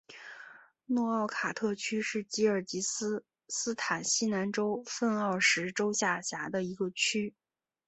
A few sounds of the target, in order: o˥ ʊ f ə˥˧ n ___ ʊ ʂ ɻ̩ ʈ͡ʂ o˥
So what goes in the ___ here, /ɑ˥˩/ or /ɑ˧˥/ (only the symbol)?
ɑ˥˩